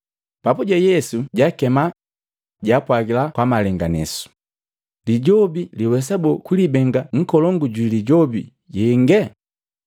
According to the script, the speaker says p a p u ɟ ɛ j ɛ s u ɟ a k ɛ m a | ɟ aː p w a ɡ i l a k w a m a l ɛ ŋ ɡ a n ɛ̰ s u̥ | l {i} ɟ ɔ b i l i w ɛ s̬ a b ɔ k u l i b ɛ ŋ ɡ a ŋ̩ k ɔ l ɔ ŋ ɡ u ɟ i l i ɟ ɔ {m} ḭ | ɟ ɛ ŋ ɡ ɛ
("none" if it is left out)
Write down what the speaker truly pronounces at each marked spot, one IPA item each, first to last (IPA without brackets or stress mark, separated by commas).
i, b